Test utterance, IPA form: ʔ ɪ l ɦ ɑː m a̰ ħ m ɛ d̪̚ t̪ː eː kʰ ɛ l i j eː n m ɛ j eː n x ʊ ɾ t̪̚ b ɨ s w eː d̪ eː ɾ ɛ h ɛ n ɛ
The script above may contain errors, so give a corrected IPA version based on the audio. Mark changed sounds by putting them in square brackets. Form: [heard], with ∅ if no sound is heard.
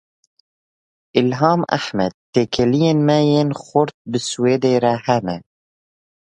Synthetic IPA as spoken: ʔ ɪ l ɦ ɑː m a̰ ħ m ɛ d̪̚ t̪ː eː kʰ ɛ l i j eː n m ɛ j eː n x ʊ ɾ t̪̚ b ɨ s w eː d̪ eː ɾ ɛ h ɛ n ɛ